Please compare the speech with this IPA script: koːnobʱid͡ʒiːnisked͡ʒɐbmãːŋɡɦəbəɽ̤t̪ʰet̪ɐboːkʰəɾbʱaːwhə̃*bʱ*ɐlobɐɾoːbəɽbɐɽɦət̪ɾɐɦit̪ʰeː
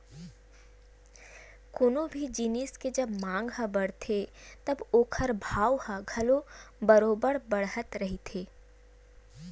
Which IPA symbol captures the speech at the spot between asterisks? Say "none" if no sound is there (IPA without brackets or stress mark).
ɡʱ